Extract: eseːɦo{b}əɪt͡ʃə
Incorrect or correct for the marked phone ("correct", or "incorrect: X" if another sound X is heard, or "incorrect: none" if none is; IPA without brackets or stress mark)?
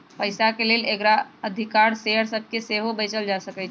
correct